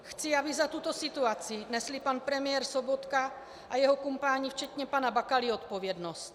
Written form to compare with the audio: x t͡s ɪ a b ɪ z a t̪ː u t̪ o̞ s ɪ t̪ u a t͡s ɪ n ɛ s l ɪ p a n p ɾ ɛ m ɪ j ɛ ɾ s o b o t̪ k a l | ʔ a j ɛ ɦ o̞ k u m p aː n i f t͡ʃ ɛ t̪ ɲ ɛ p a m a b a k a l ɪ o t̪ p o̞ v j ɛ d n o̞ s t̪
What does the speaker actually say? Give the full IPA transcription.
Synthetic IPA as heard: x t͡s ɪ a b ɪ z a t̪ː u t̪ o̞ s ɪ t̪ u a t͡s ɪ n ɛ s l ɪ p a n p ɾ ɛ m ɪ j ɛ ɾ s o b o t̪ k a | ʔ a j ɛ ɦ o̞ k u m p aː ɲ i f t͡ʃ ɛ t̪ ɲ ɛ p a n a b a k a l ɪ o t̪ p o̞ v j ɛ d n o̞ s t̪